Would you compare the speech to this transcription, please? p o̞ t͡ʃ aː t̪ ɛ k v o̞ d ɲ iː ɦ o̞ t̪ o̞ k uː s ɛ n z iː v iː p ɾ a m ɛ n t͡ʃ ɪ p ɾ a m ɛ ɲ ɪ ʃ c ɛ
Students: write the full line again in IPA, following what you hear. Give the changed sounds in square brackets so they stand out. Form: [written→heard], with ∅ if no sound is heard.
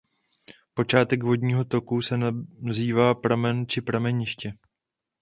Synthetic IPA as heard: p o̞ t͡ʃ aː t̪ ɛ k v o̞ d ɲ iː ɦ o̞ t̪ o̞ k [uː→u] s ɛ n z iː v [iː→aː] p ɾ a m ɛ n t͡ʃ ɪ p ɾ a m ɛ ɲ ɪ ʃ c ɛ